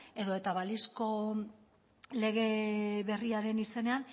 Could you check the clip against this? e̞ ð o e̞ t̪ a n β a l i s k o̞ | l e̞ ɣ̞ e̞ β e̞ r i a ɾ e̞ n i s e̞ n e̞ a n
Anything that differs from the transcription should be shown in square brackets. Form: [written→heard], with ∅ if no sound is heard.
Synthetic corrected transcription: e̞ ð o e̞ t̪ a [n→∅] β a l i s k o̞ | l e̞ ɣ̞ e̞ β e̞ r i a ɾ e̞ n i s e̞ n e̞ a n